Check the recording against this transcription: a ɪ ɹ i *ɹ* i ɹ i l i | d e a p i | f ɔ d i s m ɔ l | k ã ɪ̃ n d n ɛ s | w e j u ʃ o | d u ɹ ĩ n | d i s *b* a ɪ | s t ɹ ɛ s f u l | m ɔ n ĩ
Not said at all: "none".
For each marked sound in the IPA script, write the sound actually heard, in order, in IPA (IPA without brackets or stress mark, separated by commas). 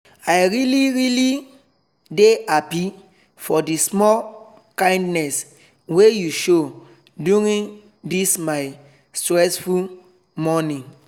l, m